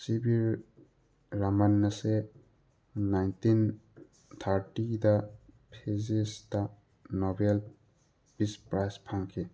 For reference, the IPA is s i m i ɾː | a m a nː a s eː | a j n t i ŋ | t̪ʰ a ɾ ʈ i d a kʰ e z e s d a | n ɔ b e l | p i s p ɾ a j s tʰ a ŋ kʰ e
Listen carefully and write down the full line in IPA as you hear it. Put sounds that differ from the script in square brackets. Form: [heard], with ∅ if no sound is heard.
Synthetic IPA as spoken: s i [b] i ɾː | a m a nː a s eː | a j n t i [n] | t̪ʰ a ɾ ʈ i d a [pʰ] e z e s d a | n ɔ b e l | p i s p ɾ a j s [pʰ] a ŋ kʰ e

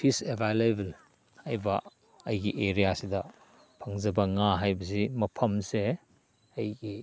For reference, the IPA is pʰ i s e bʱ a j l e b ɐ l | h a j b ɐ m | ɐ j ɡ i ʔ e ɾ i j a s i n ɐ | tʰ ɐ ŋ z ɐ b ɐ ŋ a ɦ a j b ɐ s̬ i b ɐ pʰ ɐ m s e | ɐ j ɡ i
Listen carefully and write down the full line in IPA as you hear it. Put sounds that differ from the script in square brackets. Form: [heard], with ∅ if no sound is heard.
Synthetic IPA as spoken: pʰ i s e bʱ a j l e b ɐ l | h a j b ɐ [∅] | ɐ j ɡ i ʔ e ɾ i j a s i [d] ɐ | [pʰ] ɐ ŋ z ɐ b ɐ ŋ a ɦ a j b ɐ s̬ i [m] ɐ pʰ ɐ m s e | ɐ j ɡ i

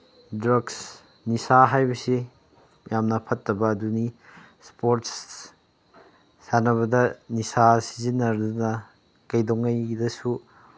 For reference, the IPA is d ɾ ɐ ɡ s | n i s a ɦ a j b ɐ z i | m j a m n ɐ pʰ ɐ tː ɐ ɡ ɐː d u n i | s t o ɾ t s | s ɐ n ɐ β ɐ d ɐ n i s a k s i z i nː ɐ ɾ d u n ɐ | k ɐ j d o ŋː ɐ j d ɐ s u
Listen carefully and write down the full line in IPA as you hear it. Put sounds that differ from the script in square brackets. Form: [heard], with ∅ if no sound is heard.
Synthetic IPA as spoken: d ɾ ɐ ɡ s | n i s a ɦ a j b ɐ [s] i | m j a m n ɐ pʰ ɐ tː ɐ [b] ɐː d u n i | s [p] o ɾ t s | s [a] n ɐ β ɐ d ɐ n i s a [∅] s i z i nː ɐ ɾ d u n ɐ | k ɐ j d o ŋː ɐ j d ɐ s u

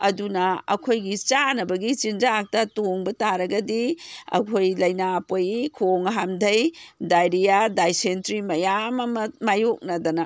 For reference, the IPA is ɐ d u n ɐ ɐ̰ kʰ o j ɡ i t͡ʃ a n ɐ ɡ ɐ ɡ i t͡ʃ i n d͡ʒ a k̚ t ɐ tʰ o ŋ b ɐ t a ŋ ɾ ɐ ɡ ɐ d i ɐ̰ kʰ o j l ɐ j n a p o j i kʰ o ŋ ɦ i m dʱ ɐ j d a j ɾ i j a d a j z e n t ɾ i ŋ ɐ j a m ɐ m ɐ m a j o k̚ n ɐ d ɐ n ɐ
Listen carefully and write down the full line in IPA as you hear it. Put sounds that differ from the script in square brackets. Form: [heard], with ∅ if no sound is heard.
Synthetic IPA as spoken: ɐ d u n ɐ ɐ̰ kʰ o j ɡ i t͡ʃ a n ɐ [b] ɐ ɡ i t͡ʃ i n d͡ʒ a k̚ t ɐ [t] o ŋ b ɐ t a [∅] ɾ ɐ ɡ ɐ d i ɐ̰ kʰ o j l ɐ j n a p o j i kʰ o ŋ ɦ [a] m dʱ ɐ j d a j ɾ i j a d a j [s] e n t ɾ i [m] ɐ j a m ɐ m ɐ m a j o k̚ n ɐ d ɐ n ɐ

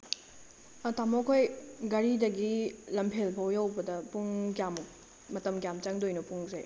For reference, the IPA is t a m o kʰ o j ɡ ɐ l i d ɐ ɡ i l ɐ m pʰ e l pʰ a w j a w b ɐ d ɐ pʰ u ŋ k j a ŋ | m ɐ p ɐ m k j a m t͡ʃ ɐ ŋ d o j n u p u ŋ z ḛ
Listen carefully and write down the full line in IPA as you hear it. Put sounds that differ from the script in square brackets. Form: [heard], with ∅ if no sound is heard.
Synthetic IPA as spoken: t a m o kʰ o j ɡ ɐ [ɾ] i d ɐ ɡ i l ɐ m pʰ e l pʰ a w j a w b ɐ d ɐ [p] u ŋ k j a [m] | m ɐ [t] ɐ m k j a m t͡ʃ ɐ ŋ d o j n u p u ŋ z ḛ

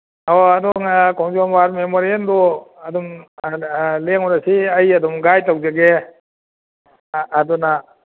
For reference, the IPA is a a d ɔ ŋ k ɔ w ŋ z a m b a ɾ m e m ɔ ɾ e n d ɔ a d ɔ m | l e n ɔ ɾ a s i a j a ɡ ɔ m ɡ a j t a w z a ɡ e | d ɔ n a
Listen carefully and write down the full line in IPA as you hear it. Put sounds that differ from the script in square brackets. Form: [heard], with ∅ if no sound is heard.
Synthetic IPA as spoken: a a d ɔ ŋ k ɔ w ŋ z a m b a ɾ m e m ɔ ɾ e n d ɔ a d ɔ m | l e [ŋ] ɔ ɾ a s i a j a [d] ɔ m ɡ a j t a w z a ɡ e | d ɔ n a

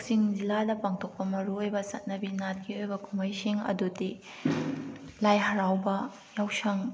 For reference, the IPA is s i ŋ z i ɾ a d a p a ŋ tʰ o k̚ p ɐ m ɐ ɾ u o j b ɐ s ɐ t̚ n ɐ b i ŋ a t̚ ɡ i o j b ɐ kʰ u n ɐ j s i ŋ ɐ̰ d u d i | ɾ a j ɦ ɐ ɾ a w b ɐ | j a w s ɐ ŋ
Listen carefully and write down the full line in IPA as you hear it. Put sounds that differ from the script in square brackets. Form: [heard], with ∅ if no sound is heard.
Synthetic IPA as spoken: s i ŋ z i [l] a d [ɐ] p a ŋ tʰ o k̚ p ɐ m ɐ ɾ u o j b ɐ s ɐ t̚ n ɐ b i [n] a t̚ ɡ i o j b ɐ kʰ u [m] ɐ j s i ŋ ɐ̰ d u d i | [l] a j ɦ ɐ ɾ a w b ɐ | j a w s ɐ ŋ

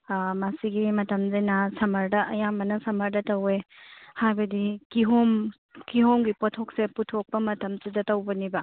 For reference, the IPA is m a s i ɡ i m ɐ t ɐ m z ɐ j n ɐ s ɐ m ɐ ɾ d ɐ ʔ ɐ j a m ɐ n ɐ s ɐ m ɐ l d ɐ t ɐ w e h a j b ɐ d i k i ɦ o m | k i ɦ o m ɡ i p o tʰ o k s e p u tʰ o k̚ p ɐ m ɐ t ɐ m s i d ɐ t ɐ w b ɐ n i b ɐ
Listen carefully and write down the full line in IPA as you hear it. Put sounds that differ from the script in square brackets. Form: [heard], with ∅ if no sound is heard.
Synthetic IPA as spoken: m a s i ɡ i m ɐ t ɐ m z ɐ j n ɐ s ɐ m ɐ ɾ d ɐ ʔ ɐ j a m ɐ n ɐ s ɐ m ɐ [ɾ] d ɐ t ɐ w e h a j b ɐ d i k i ɦ o m | k i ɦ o m ɡ i p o tʰ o k s e p u tʰ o k̚ p ɐ m ɐ t ɐ m s i d ɐ t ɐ w b ɐ n i b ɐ

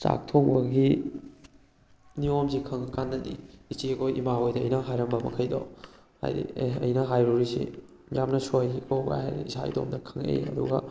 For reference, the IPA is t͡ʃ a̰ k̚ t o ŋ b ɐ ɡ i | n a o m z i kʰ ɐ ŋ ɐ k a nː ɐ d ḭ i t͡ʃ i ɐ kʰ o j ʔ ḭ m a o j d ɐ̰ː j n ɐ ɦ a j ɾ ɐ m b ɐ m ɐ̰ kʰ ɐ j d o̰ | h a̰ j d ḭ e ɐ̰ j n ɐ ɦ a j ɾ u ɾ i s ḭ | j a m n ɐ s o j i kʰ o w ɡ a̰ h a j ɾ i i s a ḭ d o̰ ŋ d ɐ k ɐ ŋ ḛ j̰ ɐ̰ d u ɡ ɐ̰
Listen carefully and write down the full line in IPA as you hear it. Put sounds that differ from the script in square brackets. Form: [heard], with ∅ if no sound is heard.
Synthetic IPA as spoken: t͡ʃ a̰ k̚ [tʰ] o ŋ b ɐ ɡ i | n [i] o m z i kʰ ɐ ŋ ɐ k a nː ɐ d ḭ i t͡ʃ i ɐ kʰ o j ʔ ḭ m a o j d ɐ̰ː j n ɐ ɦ a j ɾ ɐ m b ɐ m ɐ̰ kʰ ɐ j d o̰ | h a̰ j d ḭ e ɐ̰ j n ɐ ɦ a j ɾ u ɾ i s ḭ | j a m n ɐ s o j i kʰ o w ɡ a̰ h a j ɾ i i s a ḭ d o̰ [m] d ɐ [kʰ] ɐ ŋ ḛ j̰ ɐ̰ d u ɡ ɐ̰

